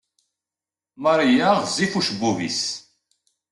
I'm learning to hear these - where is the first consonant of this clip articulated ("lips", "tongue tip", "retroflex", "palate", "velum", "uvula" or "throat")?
lips